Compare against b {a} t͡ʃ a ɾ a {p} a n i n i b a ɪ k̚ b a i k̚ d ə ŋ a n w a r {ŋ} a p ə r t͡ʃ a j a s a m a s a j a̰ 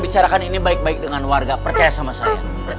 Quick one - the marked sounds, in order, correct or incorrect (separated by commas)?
incorrect, incorrect, incorrect